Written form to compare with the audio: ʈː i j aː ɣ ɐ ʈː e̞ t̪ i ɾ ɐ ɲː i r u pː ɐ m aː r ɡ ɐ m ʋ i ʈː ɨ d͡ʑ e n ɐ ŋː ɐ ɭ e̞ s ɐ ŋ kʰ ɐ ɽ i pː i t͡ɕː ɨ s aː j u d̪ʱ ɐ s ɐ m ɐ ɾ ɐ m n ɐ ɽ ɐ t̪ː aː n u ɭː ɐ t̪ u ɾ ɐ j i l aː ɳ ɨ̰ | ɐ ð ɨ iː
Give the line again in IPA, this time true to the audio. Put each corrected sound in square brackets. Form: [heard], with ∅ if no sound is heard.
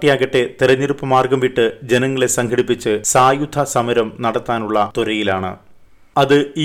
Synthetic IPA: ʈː i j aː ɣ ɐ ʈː e̞ t̪ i ɾ ɐ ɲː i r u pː ɐ m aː r ɡ ɐ m ʋ i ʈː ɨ d͡ʑ e n ɐ ŋː ɐ ɭ e̞ s ɐ ŋ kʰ ɐ ɽ i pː i t͡ɕː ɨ s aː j u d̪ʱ ɐ s ɐ m ɐ ɾ ɐ m n ɐ ɽ ɐ t̪ː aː n u ɭː ɐ t̪ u ɾ ɐ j i l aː ɳ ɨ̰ | ɐ ð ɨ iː